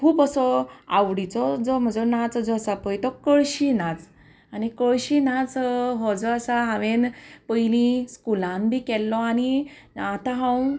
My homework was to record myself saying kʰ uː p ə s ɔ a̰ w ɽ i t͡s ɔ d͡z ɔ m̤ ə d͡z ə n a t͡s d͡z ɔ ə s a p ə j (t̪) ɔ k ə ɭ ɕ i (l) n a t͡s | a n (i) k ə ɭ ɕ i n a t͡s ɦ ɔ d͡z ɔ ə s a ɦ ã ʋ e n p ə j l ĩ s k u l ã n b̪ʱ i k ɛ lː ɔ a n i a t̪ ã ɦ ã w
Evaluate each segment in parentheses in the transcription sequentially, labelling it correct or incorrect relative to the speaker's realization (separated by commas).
correct, incorrect, correct